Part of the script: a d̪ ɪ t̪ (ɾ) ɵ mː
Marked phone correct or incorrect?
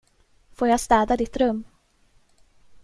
correct